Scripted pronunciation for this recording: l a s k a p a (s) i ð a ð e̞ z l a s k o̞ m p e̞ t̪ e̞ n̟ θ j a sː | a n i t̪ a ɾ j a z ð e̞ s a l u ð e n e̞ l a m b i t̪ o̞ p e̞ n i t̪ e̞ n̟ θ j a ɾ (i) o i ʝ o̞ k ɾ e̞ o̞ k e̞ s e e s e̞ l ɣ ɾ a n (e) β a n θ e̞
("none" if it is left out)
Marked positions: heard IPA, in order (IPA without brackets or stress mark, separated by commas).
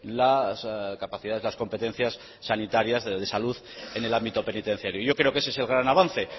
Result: θ, j, a